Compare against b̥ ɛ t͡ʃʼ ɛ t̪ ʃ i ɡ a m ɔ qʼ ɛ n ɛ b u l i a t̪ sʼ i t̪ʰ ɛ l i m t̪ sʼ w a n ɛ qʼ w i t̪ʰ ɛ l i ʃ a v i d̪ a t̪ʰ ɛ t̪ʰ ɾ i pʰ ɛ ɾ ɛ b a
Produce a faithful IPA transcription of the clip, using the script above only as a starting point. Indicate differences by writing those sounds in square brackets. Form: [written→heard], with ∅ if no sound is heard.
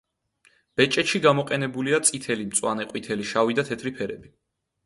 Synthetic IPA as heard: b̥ ɛ t͡ʃʼ ɛ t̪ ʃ i ɡ a m ɔ qʼ ɛ n ɛ b u l i a t̪ sʼ i t̪ʰ ɛ l i m t̪ sʼ w a n ɛ qʼ w i t̪ʰ ɛ l i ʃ a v i d̪ a t̪ʰ ɛ t̪ʰ ɾ i pʰ ɛ ɾ ɛ b [a→i]